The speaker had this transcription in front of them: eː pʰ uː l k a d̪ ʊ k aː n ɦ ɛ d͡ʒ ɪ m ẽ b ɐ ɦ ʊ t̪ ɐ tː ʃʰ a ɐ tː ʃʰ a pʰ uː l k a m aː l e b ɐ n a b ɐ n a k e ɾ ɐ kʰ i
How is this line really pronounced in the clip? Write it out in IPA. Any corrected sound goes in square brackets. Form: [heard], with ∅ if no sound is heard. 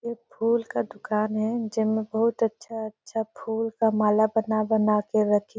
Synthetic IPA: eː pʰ uː l k a d̪ ʊ k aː n ɦ ɛ d͡ʒ ɪ m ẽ b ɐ ɦ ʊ t̪ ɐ tː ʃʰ a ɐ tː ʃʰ a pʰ uː l k a m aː l [a] b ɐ n a b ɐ n a k e ɾ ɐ kʰ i